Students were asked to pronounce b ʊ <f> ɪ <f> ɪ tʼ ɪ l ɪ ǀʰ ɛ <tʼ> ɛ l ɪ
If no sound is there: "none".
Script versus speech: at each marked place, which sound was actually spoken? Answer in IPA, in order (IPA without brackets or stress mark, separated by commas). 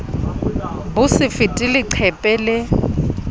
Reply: s, f, pʼ